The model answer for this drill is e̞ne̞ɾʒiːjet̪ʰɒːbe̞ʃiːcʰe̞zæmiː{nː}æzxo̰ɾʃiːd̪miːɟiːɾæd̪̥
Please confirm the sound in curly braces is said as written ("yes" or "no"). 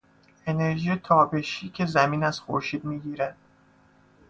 no